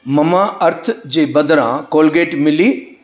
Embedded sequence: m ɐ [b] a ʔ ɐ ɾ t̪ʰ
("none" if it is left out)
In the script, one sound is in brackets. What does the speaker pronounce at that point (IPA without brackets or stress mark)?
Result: m